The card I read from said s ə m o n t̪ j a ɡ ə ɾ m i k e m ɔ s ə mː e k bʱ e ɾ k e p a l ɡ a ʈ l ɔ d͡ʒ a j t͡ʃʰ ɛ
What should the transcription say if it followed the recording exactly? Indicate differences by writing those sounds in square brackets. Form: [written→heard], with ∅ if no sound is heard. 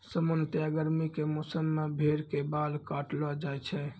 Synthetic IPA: s ə m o n t̪ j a ɡ ə ɾ m i k e m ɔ s ə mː e [k→∅] bʱ e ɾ k e [p→b] a l [ɡ→k] a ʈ l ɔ d͡ʒ a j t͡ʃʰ ɛ